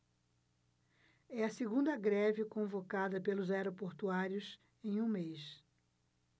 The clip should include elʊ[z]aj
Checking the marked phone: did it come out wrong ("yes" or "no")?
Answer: no